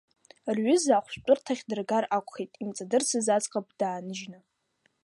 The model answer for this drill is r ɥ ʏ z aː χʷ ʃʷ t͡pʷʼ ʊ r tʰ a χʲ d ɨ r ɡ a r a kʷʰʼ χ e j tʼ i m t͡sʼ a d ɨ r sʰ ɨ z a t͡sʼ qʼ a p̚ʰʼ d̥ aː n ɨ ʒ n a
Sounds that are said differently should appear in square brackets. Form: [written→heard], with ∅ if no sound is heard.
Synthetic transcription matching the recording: r ɥ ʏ z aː χʷ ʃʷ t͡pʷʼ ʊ r tʰ a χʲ d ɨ r ɡ a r a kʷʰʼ χ e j tʼ i m t͡sʼ a d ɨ r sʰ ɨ z a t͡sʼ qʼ a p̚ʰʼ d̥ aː n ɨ ʒ n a